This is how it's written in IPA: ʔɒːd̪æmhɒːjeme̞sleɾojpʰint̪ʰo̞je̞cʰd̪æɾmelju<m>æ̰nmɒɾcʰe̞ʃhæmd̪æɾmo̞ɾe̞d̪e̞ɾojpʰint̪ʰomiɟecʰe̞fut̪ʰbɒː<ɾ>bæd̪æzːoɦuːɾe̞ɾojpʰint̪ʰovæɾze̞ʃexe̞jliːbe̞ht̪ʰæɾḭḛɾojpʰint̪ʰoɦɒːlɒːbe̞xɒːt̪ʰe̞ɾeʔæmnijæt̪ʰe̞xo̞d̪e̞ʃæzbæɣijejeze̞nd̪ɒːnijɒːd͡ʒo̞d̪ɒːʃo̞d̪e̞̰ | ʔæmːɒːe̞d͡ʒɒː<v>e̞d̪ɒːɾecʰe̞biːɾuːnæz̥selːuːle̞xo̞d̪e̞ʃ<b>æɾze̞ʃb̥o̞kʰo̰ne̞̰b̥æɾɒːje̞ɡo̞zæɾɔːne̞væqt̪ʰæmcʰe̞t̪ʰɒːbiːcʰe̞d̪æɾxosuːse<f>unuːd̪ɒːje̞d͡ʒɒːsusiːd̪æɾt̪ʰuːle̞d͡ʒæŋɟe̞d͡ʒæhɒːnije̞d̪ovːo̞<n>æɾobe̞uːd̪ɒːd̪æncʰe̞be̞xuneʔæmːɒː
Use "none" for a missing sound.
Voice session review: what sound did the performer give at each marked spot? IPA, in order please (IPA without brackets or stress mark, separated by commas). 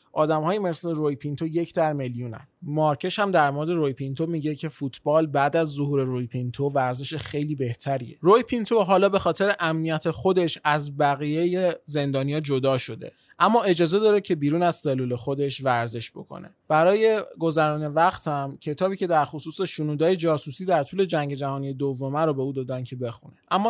n, l, z, v, ʃ, m